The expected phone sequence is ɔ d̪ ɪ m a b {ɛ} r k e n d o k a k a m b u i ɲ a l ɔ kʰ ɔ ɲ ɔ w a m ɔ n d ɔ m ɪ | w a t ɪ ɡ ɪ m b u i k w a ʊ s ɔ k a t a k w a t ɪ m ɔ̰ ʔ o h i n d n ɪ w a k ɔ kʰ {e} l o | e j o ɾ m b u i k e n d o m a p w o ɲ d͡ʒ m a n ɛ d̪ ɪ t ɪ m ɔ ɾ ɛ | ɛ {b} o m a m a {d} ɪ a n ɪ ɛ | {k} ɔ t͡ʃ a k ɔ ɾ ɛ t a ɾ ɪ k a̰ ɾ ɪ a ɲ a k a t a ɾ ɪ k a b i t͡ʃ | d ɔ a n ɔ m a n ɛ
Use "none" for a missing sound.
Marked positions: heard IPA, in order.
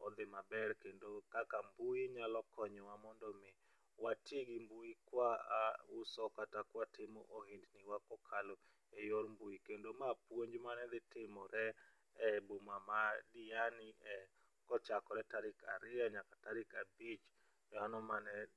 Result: ɛ, a, b, d, k

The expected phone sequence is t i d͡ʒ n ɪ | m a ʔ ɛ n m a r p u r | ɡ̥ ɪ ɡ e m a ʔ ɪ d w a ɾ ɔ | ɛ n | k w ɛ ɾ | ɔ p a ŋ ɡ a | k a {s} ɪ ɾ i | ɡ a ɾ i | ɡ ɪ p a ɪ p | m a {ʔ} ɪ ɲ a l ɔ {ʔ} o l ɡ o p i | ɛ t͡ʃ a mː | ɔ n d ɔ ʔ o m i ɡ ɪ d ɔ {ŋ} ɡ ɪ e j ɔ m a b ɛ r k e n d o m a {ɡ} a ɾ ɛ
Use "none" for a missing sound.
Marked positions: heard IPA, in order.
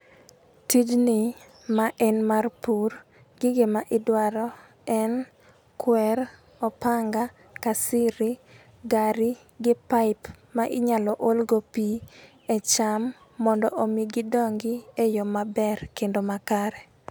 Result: s, ʔ, ʔ, ŋ, k

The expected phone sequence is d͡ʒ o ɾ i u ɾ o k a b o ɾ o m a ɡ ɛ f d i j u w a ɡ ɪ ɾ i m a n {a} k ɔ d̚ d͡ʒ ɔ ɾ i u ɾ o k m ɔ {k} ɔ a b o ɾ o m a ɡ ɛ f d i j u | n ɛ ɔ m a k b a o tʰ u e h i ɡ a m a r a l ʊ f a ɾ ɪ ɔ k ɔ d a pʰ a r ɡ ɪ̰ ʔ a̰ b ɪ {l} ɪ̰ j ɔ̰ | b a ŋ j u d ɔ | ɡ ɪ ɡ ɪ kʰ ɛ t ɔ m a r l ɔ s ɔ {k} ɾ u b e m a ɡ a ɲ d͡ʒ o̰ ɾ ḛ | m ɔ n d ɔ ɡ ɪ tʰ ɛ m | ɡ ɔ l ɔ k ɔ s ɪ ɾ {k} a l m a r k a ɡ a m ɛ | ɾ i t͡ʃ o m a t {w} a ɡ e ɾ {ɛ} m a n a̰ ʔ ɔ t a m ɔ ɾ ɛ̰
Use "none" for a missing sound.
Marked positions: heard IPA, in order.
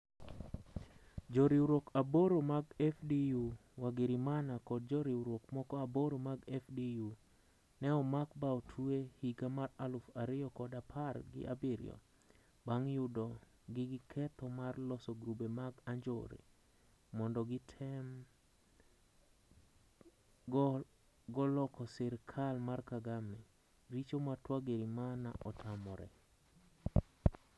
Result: a, k, ɾ, ɡ, kʰ, w, i

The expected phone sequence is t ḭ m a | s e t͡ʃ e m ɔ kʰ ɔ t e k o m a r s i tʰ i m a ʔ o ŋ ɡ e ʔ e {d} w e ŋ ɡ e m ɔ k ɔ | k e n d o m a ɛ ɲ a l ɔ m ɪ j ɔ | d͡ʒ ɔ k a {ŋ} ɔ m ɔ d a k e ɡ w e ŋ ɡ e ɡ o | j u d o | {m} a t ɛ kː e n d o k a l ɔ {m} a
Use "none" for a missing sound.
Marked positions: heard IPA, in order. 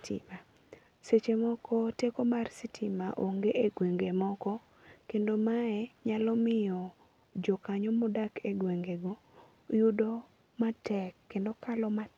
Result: ɡ, ɲ, m, m

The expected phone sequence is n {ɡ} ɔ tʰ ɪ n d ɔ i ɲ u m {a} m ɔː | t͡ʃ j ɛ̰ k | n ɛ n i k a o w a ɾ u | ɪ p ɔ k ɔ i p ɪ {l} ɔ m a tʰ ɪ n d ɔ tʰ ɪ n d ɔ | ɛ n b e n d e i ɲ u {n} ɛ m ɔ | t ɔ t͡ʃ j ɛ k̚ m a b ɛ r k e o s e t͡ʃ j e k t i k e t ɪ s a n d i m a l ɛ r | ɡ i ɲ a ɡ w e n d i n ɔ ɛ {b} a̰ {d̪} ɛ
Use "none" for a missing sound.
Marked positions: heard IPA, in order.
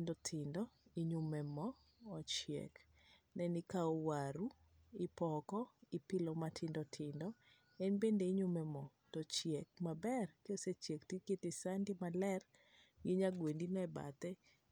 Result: d, ɛ, l, m, b, t̪

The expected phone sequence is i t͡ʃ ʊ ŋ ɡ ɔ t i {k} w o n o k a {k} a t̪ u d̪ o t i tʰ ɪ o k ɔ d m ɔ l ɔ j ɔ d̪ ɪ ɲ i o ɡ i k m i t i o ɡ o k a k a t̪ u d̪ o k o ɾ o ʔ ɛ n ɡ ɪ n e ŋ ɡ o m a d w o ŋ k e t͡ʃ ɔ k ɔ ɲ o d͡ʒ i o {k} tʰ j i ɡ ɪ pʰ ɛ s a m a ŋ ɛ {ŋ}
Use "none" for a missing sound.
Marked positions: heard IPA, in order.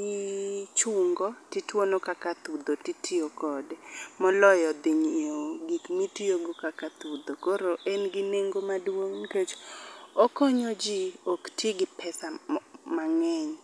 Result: t, k, k, ɲ

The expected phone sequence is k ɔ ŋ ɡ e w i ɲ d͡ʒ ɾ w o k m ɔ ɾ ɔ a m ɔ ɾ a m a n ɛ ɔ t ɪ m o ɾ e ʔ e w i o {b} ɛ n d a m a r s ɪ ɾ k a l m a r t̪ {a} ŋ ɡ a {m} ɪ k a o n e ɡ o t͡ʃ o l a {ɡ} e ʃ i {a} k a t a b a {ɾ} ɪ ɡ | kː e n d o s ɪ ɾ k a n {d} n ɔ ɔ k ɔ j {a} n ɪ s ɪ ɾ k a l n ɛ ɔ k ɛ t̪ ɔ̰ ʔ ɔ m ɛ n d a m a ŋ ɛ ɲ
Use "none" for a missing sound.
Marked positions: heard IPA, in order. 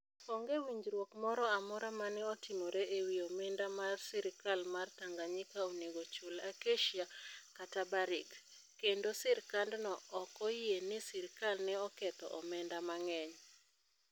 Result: m, a, ɲ, k, a, ɾ, d, e

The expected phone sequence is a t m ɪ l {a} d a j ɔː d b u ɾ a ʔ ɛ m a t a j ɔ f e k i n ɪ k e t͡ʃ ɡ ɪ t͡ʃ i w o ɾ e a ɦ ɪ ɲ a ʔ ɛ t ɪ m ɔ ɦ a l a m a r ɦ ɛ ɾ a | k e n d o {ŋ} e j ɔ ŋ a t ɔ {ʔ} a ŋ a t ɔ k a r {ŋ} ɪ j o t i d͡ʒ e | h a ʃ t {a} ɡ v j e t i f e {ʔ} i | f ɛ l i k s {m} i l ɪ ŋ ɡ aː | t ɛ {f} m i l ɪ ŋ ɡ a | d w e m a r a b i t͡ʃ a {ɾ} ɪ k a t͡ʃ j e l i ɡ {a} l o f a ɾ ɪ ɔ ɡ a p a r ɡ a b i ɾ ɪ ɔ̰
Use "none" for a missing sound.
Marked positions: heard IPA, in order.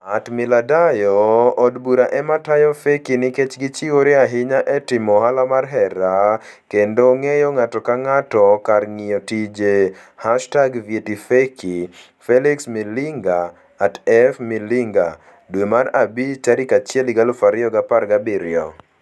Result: a, ŋ, k, ŋ, a, k, m, f, ɾ, a

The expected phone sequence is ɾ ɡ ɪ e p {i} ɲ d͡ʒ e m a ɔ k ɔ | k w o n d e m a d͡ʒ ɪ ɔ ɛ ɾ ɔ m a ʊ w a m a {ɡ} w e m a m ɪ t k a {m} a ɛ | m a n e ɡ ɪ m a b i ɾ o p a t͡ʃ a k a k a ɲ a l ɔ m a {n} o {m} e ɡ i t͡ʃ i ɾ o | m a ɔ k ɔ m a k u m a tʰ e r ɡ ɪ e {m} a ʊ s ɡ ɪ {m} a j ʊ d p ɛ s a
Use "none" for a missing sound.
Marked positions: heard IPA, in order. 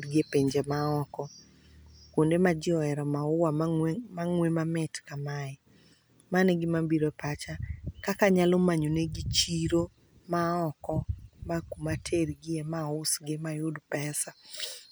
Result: e, ŋ, m, ɲ, n, m, m

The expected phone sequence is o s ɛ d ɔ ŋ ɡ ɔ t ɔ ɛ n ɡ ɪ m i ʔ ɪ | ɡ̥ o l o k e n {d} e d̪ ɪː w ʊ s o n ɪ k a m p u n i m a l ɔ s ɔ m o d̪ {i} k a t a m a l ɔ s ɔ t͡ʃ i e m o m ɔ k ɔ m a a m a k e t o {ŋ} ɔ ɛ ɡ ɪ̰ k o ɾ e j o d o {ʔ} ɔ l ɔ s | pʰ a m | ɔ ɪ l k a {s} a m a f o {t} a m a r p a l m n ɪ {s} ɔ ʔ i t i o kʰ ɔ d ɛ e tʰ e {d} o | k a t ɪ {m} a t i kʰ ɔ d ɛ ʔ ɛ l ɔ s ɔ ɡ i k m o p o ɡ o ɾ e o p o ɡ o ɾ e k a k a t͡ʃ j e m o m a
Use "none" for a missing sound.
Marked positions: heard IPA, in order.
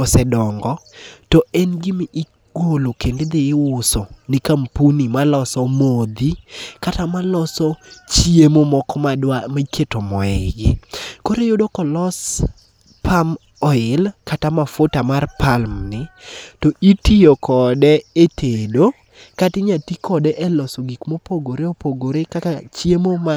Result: d, i, m, k, t, t, t, d, ɲ

